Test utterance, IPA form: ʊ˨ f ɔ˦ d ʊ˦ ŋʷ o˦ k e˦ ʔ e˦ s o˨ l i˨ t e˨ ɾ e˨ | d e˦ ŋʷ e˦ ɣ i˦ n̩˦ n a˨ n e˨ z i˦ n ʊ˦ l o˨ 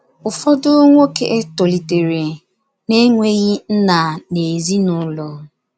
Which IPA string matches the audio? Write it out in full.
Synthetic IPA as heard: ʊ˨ f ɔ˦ d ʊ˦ ŋʷ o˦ k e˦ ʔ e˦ t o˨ l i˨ t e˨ ɾ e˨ | n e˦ ŋʷ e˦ ɣ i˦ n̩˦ n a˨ n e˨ z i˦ n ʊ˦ l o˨

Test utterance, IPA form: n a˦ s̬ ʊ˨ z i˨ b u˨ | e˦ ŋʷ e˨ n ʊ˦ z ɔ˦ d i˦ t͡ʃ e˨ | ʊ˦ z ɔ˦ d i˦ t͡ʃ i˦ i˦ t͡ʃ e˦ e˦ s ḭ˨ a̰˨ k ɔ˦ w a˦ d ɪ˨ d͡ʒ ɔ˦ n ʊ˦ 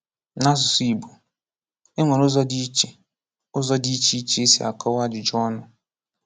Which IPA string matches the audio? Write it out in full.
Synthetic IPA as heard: n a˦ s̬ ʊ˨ s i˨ b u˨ | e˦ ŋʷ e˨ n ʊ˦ z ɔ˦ d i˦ t͡ʃ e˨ | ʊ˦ z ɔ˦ d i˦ t͡ʃ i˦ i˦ t͡ʃ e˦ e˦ s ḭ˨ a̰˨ k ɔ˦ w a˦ d͡ʒ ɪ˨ d͡ʒ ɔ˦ n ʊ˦

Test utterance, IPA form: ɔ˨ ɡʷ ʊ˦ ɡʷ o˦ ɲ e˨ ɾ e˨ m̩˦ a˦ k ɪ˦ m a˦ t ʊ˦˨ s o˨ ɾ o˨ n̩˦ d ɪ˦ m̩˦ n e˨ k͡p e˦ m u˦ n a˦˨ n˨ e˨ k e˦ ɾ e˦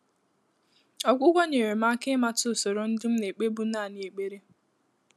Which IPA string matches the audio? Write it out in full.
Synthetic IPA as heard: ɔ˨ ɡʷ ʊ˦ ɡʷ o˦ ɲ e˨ ɾ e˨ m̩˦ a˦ k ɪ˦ m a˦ t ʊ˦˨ s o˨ ɾ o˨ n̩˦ d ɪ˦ m̩˦ n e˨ k͡p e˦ b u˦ n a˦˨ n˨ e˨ k͡p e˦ ɾ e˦

